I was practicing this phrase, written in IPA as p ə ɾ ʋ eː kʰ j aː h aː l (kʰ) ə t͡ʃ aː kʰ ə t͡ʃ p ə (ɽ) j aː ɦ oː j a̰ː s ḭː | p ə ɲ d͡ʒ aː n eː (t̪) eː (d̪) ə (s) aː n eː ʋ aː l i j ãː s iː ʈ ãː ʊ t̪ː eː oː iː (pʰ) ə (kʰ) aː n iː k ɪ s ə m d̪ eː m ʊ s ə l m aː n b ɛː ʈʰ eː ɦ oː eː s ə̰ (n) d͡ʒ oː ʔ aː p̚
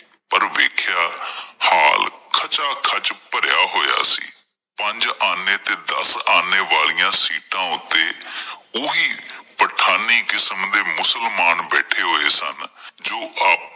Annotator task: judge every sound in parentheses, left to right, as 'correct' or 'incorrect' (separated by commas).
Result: correct, incorrect, correct, correct, correct, incorrect, incorrect, correct